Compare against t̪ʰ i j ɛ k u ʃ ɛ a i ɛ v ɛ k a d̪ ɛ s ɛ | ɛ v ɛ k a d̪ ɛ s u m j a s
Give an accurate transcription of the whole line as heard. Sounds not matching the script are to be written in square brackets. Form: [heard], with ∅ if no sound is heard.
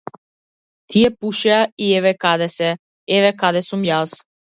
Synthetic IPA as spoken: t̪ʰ i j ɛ [p] u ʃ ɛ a i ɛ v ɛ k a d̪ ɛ s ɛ | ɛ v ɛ k a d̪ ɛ s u m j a s